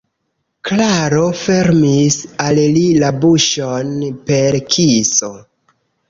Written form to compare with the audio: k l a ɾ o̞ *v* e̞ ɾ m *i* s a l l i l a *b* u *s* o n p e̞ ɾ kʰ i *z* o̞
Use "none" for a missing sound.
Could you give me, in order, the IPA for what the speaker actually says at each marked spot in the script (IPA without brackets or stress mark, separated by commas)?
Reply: f, i, b, ʃ, s